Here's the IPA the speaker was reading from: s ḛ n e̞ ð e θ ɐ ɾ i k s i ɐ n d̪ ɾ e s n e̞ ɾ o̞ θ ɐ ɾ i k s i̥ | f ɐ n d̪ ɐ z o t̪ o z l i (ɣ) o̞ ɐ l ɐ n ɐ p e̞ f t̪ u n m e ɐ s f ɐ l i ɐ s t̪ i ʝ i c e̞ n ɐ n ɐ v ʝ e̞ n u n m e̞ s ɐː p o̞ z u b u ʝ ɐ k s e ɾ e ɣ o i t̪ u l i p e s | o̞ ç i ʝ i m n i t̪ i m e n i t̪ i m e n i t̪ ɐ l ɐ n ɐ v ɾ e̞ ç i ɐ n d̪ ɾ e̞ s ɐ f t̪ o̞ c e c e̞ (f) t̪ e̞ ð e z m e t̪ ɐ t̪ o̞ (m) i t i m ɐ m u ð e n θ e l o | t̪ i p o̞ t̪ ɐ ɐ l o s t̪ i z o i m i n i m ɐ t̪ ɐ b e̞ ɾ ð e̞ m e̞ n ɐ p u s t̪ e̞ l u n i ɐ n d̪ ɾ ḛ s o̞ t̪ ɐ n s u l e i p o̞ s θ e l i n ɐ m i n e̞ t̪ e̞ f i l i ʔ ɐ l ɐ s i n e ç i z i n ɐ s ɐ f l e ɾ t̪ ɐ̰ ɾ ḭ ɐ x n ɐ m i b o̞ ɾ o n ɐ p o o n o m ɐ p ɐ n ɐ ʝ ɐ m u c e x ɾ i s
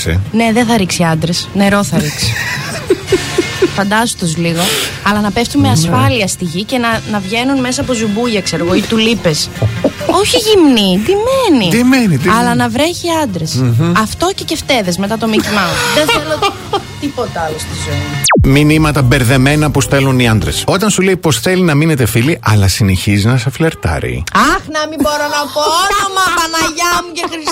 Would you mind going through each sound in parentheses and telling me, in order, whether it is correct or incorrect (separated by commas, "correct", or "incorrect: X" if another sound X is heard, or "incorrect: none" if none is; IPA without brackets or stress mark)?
correct, correct, correct